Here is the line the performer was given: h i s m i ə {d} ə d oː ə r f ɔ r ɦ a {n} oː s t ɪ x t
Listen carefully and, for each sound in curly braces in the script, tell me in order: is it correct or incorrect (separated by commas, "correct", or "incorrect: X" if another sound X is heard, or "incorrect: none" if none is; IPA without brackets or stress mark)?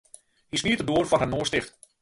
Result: incorrect: t, correct